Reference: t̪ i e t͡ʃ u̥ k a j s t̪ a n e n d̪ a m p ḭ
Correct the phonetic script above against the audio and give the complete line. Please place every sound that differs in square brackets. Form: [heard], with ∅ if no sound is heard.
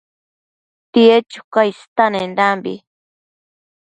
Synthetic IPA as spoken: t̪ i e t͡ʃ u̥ k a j s t̪ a n e n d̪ a m [b] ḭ